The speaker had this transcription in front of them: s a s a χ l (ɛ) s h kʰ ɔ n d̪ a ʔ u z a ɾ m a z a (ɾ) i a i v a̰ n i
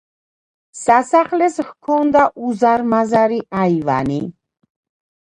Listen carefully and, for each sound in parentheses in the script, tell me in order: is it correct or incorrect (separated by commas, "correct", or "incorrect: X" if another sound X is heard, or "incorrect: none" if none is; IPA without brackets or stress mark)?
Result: correct, correct